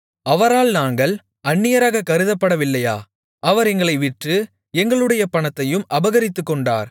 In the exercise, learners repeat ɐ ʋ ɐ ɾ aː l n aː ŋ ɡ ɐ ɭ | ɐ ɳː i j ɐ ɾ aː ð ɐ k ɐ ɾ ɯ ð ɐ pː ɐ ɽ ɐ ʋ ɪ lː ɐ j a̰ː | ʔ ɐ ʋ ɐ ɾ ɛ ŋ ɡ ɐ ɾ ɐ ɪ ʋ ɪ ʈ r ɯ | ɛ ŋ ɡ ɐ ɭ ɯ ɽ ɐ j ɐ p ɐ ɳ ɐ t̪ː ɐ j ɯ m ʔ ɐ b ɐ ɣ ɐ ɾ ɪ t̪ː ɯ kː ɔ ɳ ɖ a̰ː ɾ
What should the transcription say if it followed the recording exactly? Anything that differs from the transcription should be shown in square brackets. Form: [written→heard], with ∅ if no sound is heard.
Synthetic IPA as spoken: ɐ ʋ ɐ ɾ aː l n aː ŋ ɡ ɐ ɭ | ɐ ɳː [i→ɪ] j ɐ ɾ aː [ð→ɣ] ɐ k ɐ ɾ ɯ ð ɐ pː ɐ ɽ ɐ ʋ ɪ lː ɐ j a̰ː | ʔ ɐ ʋ ɐ ɾ ɛ ŋ ɡ ɐ [ɾ→ɭ] ɐ ɪ ʋ ɪ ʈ r ɯ | ɛ ŋ ɡ ɐ ɭ ɯ ɽ ɐ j ɐ p ɐ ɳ ɐ t̪ː ɐ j ɯ m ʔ ɐ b ɐ ɣ ɐ ɾ ɪ t̪ː ɯ kː ɔ ɳ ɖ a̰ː ɾ